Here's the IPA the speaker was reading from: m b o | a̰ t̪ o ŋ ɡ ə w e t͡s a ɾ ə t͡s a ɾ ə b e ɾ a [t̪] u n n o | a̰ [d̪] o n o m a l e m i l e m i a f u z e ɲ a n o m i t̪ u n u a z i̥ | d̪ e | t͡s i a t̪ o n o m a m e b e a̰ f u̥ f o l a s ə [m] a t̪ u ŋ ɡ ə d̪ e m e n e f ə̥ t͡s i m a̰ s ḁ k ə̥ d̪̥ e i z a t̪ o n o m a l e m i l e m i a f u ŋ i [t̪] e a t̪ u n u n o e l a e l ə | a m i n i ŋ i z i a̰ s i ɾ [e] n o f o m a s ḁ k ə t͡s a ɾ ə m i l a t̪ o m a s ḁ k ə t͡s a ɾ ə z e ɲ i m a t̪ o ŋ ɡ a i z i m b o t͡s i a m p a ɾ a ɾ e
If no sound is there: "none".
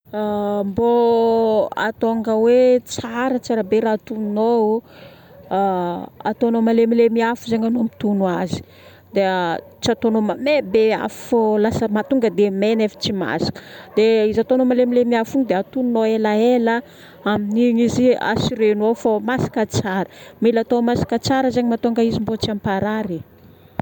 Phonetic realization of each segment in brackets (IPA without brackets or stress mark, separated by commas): t̪, t̪, m, d̪, e